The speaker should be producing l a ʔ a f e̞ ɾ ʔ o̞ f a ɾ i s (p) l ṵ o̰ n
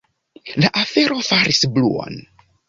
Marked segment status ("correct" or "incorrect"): incorrect